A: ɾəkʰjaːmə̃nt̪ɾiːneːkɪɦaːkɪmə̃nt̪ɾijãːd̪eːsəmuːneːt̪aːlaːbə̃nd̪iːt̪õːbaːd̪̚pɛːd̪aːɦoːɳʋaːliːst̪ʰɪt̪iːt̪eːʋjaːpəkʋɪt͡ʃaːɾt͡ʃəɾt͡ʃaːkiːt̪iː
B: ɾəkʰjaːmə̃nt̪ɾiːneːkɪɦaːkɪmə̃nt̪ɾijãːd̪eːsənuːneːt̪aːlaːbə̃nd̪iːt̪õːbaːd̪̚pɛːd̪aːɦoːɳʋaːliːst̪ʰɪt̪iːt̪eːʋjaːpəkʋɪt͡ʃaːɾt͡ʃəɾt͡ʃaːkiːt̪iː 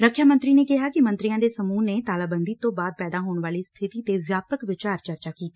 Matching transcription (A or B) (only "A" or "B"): A